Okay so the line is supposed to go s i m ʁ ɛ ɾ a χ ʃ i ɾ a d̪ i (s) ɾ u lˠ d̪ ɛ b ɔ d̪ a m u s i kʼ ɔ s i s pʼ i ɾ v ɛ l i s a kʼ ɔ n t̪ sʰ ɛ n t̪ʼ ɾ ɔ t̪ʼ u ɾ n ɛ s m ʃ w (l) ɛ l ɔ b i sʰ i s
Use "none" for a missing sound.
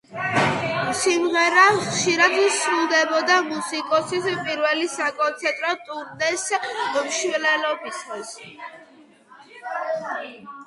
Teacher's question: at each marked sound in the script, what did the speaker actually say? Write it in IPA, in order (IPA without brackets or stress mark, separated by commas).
s, l